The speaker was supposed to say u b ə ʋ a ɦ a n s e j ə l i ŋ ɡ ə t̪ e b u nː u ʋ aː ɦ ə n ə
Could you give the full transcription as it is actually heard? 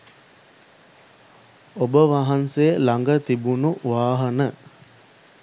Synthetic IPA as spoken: o b ə ʋ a ɦ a n s e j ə l a ŋ ɡ ə t̪ i b u n u ʋ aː ɦ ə n ə